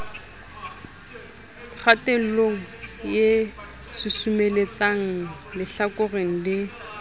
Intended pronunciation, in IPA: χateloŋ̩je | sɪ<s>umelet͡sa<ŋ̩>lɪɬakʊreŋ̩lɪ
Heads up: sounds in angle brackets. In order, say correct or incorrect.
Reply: correct, correct

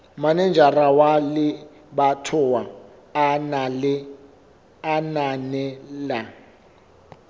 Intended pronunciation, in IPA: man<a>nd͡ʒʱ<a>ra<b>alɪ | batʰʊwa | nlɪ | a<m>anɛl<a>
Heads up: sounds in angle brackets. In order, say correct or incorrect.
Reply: incorrect, correct, incorrect, incorrect, correct

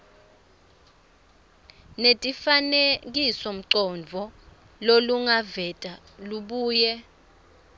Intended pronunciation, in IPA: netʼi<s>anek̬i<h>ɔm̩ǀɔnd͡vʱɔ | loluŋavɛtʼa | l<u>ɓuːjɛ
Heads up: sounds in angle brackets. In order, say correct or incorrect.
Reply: incorrect, incorrect, correct

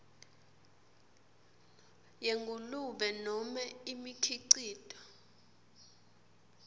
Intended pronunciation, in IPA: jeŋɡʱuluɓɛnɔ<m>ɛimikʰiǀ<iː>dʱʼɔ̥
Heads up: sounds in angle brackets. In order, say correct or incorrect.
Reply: correct, correct

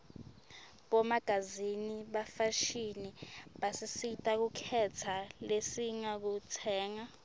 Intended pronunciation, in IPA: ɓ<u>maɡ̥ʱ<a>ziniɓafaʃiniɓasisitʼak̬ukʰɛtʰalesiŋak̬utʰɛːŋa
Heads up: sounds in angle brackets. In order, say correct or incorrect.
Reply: incorrect, correct

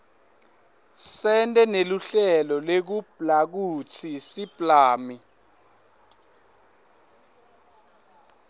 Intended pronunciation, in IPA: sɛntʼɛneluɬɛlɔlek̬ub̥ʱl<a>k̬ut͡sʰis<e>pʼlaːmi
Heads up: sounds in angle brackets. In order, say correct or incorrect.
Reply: correct, incorrect

